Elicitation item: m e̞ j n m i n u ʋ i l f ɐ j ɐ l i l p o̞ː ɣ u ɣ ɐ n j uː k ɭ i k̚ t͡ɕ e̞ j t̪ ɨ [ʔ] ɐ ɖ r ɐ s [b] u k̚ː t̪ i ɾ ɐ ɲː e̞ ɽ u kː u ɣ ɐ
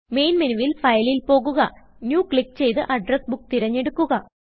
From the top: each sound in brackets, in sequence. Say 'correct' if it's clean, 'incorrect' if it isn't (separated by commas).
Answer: correct, correct